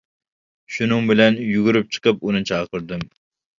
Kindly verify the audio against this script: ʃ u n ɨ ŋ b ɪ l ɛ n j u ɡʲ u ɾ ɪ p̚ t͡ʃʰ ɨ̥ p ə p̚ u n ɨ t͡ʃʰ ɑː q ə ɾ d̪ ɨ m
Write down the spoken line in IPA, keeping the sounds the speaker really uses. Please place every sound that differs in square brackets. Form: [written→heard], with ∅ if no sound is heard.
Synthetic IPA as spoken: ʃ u n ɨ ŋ b ɪ l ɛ n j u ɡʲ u ɾ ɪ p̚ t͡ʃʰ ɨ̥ [p→q] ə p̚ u n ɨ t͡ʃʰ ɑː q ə ɾ d̪ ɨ m